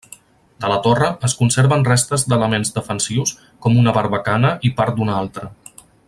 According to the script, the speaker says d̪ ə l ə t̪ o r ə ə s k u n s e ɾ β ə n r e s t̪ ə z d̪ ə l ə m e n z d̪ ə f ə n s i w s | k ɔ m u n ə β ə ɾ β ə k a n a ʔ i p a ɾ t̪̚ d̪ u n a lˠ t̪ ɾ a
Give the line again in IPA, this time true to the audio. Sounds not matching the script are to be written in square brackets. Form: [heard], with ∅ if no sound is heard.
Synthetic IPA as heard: d̪ ə l ə t̪ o r ə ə s k u n s e ɾ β ə n r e s t̪ ə z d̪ ə l ə m e n z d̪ ə f ə n s i w s | k ɔ m u n ə β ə ɾ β ə k a n [ə] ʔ i p a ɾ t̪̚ d̪ u n a lˠ t̪ ɾ [ə]